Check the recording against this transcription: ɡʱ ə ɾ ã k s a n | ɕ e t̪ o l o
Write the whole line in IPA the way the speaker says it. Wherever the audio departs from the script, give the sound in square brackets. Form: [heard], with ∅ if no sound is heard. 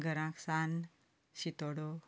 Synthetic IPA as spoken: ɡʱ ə ɾ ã k s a n | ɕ [i] t̪ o [ɽ] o